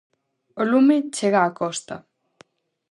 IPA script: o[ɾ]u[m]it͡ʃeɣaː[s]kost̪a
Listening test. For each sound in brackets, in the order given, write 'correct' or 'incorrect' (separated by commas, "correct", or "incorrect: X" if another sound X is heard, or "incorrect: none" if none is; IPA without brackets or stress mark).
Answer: incorrect: l, correct, incorrect: none